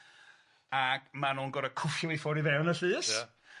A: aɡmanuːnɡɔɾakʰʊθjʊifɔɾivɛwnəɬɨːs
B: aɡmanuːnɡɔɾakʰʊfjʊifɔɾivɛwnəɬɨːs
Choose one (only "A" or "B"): B